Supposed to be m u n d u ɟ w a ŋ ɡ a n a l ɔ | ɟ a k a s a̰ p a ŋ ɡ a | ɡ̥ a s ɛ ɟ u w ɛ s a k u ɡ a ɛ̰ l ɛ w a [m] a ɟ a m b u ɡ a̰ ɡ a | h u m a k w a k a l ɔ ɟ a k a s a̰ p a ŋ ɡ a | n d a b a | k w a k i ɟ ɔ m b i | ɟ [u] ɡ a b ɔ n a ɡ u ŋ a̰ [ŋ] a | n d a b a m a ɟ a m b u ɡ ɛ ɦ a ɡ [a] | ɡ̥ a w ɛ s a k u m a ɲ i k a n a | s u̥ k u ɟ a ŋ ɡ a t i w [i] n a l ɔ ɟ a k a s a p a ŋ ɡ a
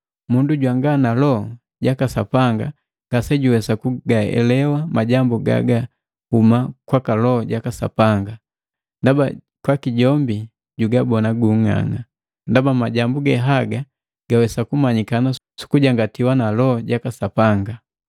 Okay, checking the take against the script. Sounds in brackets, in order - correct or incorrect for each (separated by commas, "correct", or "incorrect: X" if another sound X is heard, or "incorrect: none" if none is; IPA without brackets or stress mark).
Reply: correct, correct, correct, correct, incorrect: a